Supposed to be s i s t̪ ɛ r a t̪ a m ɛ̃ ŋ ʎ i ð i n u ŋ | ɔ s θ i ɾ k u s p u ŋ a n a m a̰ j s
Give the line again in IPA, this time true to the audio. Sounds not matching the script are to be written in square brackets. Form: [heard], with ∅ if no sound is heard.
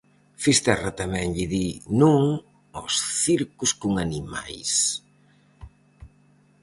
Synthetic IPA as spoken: [f] i s t̪ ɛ r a t̪ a m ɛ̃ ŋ ʎ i ð i n u ŋ | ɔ s θ i ɾ k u s [k] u ŋ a n [i] m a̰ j s